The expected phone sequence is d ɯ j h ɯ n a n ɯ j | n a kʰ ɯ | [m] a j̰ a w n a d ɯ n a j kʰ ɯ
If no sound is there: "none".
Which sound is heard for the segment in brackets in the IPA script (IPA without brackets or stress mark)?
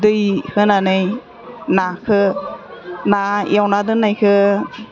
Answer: n